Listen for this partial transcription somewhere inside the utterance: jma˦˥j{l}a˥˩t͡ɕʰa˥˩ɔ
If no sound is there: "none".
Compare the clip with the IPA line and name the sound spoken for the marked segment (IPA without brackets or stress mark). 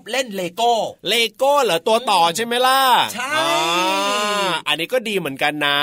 l